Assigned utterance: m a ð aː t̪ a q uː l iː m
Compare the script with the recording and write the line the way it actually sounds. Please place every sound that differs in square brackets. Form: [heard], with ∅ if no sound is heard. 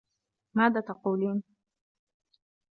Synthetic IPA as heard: m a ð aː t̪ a q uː l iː [n]